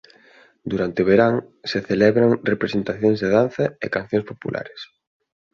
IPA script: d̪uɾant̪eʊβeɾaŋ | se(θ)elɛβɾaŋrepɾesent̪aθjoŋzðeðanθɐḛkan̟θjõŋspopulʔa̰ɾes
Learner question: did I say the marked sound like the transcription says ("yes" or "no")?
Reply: yes